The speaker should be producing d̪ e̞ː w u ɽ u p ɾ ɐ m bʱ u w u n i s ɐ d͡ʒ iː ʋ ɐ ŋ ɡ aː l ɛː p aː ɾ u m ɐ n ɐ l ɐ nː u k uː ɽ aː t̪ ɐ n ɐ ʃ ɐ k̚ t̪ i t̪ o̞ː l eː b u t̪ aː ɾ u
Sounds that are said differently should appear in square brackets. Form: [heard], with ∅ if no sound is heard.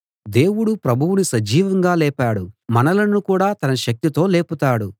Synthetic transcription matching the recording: d̪ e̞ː w u ɽ u p ɾ ɐ [∅] bʱ u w u n i s ɐ d͡ʒ iː ʋ ɐ ŋ ɡ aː l ɛː p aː [ɽ] u m ɐ n ɐ l ɐ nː u k uː ɽ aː t̪ ɐ n ɐ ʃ ɐ k̚ t̪ i t̪ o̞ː l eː [p] u t̪ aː [ɽ] u